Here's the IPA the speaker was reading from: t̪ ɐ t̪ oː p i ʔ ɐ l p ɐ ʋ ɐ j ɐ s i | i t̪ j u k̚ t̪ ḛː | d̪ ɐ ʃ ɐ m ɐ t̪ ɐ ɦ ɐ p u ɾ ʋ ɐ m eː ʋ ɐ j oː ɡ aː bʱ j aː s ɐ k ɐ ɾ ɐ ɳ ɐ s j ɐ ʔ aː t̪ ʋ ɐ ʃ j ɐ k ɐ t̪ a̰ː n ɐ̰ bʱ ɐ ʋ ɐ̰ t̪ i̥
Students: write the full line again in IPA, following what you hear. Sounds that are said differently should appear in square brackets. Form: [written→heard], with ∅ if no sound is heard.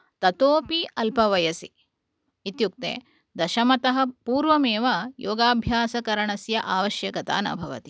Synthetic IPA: t̪ ɐ t̪ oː p i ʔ ɐ l p ɐ ʋ ɐ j ɐ s i | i t̪ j u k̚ t̪ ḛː | d̪ ɐ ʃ ɐ m ɐ t̪ ɐ ɦ ɐ p [u→uː] ɾ ʋ ɐ m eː ʋ ɐ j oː ɡ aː bʱ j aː s ɐ k ɐ ɾ ɐ ɳ ɐ s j ɐ ʔ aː [t̪→∅] ʋ ɐ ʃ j ɐ k ɐ t̪ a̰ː n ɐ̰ bʱ ɐ ʋ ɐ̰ t̪ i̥